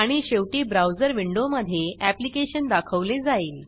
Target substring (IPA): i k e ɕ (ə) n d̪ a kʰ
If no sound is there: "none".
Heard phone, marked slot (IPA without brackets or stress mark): ə